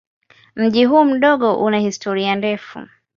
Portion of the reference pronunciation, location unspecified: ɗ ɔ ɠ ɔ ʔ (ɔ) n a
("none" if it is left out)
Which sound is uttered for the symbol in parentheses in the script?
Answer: u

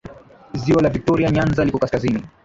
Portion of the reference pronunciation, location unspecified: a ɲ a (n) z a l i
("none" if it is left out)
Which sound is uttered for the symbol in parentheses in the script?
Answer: n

